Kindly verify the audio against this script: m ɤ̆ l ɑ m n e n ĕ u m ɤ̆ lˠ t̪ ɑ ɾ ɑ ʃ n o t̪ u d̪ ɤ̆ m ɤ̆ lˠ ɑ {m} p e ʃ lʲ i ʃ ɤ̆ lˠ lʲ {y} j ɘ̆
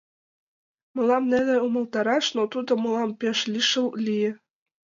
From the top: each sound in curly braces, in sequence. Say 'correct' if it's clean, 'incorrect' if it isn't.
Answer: correct, incorrect

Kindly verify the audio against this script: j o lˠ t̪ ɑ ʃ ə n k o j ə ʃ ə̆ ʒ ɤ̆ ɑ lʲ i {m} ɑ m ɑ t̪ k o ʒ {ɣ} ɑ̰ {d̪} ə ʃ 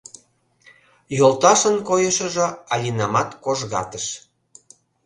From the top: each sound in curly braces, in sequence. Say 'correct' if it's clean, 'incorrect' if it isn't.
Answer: incorrect, correct, incorrect

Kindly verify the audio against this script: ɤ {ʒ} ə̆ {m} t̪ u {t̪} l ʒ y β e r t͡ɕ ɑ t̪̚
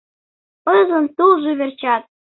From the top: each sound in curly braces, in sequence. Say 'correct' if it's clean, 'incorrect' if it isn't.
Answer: incorrect, incorrect, incorrect

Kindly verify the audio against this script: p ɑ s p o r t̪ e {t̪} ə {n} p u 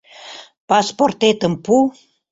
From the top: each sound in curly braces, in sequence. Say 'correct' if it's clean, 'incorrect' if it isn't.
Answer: correct, incorrect

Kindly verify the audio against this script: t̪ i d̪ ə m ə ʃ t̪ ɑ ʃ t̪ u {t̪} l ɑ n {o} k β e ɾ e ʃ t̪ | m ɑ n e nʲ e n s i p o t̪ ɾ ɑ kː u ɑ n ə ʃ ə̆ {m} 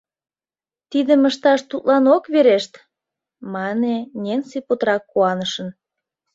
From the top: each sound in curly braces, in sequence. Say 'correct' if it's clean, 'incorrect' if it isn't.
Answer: correct, correct, incorrect

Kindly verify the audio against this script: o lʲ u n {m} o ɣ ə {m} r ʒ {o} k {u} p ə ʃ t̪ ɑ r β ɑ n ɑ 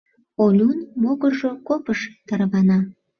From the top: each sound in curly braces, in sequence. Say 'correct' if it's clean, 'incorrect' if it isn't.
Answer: correct, incorrect, correct, incorrect

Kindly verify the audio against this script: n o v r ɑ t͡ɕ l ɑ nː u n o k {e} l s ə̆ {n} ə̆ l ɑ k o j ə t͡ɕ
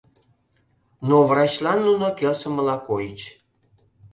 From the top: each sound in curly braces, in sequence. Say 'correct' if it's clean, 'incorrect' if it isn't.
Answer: correct, incorrect

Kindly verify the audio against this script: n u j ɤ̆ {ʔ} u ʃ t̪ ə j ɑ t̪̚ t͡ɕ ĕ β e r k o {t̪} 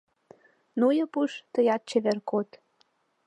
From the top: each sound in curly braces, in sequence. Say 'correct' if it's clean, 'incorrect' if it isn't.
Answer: incorrect, correct

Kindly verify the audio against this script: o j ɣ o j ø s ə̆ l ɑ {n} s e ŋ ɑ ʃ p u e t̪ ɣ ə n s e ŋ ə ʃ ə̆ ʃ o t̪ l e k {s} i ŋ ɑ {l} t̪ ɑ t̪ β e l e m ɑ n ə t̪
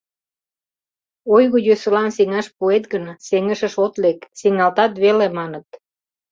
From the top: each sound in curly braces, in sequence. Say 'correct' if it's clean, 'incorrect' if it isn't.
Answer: correct, correct, correct

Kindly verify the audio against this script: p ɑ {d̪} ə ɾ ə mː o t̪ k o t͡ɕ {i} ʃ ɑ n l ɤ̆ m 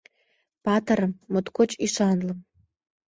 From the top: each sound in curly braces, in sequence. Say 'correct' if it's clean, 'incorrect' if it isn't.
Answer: incorrect, correct

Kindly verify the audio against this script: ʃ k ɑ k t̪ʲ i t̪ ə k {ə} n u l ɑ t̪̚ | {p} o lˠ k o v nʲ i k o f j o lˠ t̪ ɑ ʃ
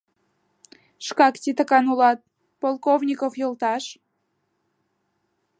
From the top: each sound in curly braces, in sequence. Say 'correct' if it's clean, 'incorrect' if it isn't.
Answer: incorrect, correct

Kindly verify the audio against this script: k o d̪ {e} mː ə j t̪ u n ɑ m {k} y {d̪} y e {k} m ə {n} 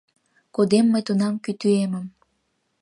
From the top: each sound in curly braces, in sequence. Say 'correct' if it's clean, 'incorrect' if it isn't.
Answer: correct, correct, incorrect, incorrect, incorrect

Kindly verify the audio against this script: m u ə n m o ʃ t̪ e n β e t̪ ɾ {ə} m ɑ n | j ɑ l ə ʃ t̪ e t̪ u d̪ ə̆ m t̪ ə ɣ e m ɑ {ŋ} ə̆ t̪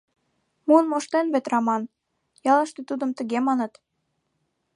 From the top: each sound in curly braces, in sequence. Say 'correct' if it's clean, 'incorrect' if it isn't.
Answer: incorrect, incorrect

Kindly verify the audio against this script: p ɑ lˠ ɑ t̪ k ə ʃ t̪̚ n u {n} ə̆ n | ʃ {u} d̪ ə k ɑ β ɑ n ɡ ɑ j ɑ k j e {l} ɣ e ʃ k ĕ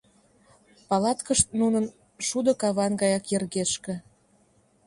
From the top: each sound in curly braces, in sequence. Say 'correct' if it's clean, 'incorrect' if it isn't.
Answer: correct, correct, incorrect

